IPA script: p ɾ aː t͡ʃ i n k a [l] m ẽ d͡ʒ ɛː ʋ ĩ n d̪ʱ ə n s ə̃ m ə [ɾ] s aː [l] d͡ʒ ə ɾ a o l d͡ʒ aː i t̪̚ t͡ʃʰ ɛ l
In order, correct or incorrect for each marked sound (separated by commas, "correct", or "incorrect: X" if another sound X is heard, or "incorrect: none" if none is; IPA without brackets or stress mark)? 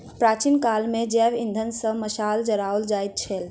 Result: correct, incorrect: none, correct